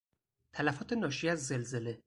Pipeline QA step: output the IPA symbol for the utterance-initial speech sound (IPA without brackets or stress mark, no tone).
t̪ʰ